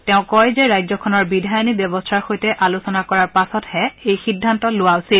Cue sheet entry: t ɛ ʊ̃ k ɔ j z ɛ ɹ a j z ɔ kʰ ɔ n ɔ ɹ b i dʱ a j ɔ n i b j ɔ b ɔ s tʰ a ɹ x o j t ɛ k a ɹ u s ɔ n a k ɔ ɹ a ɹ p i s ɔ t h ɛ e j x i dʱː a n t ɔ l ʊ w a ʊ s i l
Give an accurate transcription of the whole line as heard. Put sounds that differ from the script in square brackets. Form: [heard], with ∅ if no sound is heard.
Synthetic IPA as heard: t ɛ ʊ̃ k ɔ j z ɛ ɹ a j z ɔ kʰ ɔ n ɔ ɹ b i dʱ a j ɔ n i b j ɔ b ɔ s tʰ a ɹ x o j t ɛ [ʔ] a [l] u s ɔ n a k ɔ ɹ a ɹ p [a] s ɔ t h ɛ e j x i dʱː a n t ɔ l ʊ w a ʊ s i l